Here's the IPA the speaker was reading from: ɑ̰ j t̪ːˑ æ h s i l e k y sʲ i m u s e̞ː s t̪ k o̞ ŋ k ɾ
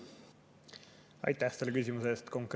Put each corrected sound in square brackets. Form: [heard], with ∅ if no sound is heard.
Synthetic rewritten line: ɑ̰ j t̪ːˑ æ h s [e] l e k y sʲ i m u s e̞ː s t̪ k o̞ ŋ k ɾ

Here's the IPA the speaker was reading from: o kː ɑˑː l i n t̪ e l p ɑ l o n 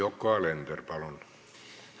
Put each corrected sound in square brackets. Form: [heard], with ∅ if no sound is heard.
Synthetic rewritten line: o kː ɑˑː l [e] n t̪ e [r] p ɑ l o n

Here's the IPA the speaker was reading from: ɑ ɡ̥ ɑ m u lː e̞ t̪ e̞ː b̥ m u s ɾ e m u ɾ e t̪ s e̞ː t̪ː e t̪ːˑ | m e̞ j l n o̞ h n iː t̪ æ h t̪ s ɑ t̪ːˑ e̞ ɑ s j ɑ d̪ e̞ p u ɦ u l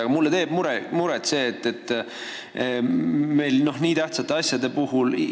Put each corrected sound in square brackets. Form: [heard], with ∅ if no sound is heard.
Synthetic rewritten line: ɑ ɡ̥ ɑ m u lː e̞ t̪ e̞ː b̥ m u [∅] ɾ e m u ɾ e t̪ s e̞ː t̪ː e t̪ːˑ | m e̞ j l n o̞ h n iː t̪ æ h t̪ s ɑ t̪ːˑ e̞ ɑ s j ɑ d̪ e̞ p u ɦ u l

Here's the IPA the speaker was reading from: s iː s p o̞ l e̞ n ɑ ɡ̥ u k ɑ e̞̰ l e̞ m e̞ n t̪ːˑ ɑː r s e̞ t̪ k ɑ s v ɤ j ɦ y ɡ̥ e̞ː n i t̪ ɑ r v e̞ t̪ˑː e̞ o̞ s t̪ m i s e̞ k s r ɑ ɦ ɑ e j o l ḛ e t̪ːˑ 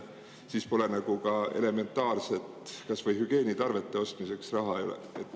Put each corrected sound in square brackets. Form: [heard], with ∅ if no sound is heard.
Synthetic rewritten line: s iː s p o̞ l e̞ n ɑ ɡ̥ u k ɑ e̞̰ l e̞ m e̞ n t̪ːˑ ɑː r s e̞ t̪ k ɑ s v ɤ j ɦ y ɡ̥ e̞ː n i t̪ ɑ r v e̞ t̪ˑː e̞ o̞ s t̪ m i s e̞ k s r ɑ ɦ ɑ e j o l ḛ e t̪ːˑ

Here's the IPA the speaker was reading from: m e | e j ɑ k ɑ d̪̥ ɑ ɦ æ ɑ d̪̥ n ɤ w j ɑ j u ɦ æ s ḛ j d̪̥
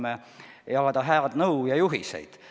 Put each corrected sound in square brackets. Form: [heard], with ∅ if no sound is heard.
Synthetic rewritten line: m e | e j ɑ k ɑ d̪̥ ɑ ɦ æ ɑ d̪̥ n ɤ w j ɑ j u ɦ [i] s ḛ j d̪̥

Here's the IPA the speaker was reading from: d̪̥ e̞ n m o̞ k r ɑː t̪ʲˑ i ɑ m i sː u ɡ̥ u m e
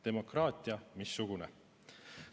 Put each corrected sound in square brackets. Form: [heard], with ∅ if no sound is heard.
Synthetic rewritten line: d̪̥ e̞ [∅] m o̞ k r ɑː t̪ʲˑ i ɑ m i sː u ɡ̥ u [n] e

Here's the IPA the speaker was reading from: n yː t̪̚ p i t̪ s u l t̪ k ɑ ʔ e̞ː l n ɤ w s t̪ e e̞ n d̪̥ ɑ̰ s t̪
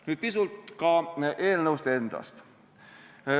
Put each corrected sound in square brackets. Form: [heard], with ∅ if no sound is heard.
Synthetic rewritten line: n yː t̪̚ p i [∅] s u l t̪ k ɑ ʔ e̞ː l n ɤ w s t̪ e e̞ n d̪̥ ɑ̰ s t̪

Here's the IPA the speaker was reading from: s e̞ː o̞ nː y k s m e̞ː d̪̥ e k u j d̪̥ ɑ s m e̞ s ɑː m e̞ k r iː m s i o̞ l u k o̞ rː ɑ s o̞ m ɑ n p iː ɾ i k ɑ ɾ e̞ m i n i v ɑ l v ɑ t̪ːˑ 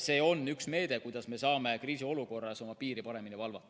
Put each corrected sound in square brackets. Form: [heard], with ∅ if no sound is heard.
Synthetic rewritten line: s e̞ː o̞ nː y k s m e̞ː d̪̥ e k u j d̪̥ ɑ s m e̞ s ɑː m e̞ k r iː [∅] s i o̞ l u k o̞ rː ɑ s o̞ m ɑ [∅] p iː ɾ i [p] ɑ ɾ e̞ m i n i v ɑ l v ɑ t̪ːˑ

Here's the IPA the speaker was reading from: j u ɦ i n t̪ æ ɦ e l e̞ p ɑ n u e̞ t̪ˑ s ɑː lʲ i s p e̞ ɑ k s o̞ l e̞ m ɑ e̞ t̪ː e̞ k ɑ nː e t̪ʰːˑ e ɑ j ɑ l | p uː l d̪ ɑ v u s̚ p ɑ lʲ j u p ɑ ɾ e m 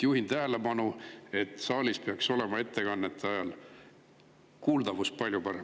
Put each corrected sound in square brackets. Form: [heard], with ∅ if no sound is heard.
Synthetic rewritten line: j u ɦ i n t̪ æ ɦ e l e̞ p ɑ n u e̞ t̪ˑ s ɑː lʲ i s p e̞ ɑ k s o̞ l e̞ m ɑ e̞ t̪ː e̞ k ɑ nː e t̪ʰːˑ e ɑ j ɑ l | [k] uː l d̪ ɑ v u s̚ p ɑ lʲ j u p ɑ ɾ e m

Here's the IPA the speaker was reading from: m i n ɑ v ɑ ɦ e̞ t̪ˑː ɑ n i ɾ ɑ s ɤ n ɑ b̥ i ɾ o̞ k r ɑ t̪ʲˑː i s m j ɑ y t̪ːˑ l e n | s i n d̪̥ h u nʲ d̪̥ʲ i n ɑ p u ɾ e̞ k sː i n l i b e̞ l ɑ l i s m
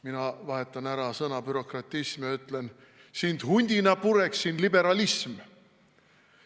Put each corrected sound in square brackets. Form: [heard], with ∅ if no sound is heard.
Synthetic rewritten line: m i n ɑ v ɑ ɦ e̞ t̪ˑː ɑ n [æ] ɾ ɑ s ɤ n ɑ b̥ [y] ɾ o̞ k r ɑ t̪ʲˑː i s m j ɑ y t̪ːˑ l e n | s i n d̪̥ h u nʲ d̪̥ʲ i n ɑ p u ɾ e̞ k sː i n l i b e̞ [ɾ] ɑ l i s m

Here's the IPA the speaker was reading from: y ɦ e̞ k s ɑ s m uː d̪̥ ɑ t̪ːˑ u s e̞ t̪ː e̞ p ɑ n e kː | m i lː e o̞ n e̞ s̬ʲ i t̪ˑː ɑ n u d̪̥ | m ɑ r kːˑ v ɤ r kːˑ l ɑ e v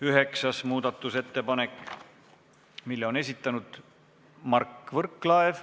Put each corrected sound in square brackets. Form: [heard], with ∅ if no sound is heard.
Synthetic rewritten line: y ɦ e̞ k s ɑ s m uː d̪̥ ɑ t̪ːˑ u s e̞ t̪ː e̞ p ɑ n e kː | m i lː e o̞ n e̞ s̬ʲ i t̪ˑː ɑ n u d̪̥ | m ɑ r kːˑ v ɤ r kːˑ l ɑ e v

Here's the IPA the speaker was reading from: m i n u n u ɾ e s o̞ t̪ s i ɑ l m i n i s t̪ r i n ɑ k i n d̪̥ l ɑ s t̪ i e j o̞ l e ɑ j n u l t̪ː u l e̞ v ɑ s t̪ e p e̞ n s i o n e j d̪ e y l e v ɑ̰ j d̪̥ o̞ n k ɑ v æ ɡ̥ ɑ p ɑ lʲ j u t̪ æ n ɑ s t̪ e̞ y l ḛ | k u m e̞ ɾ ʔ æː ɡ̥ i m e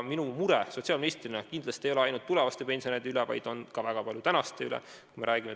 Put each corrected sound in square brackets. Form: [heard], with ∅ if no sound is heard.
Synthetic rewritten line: m i n u [m] u ɾ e s o̞ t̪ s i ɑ l m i n i s t̪ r i n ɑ k i n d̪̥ l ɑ s t̪ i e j o̞ l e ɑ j n u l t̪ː u l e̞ v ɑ s t̪ e p e̞ n s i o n e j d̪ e y l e v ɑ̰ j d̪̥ o̞ n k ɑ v æ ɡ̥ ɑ p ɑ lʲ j u t̪ æ n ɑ s t̪ e̞ y l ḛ | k u m e̞ ɾ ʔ æː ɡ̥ i m e

